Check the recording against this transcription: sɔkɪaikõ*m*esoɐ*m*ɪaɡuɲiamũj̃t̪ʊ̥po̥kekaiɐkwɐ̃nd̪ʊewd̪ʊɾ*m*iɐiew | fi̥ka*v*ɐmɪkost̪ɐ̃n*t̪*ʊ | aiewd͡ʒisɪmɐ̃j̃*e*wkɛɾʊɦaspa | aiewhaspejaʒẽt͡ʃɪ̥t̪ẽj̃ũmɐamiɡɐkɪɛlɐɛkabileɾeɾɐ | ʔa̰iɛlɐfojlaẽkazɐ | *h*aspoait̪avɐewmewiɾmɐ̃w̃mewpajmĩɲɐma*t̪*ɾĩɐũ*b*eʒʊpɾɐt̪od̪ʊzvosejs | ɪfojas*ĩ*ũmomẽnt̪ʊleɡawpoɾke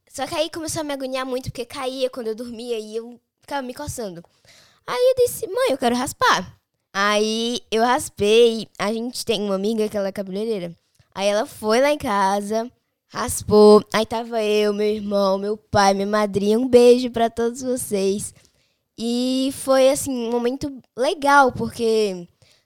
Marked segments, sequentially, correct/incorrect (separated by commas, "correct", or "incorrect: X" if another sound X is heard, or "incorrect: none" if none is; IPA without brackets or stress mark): correct, correct, correct, correct, incorrect: d̪, correct, correct, incorrect: d̪, correct, correct